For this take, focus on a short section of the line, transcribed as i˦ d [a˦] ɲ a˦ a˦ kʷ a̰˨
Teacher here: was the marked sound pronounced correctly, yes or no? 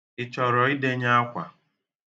no